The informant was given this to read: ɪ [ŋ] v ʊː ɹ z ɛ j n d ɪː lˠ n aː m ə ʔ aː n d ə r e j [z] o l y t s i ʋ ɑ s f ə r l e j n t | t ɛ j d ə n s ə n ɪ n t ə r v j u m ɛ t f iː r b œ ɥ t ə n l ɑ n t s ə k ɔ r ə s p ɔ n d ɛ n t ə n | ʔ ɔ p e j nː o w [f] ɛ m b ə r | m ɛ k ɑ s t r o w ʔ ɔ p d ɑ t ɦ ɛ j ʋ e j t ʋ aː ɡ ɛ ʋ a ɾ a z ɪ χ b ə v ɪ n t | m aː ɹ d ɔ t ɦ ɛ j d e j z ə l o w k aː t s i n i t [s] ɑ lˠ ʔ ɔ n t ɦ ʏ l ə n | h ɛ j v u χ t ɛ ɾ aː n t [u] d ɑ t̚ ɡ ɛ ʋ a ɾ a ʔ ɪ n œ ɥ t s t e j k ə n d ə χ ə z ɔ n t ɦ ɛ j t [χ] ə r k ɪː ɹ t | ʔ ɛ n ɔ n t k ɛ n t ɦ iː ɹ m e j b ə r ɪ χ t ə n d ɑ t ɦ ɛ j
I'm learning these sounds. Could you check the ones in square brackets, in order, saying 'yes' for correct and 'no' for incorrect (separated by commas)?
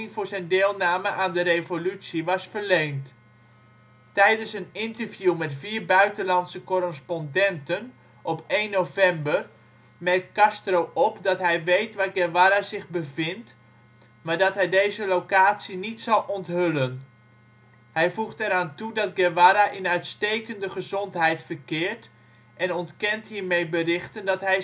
yes, no, no, yes, yes, no